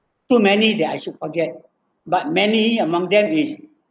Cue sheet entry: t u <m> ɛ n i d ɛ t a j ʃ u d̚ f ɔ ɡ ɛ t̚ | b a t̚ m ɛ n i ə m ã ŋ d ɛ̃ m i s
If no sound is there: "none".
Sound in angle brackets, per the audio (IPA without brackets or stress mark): m